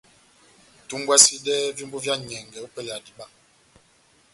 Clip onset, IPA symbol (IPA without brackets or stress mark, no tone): t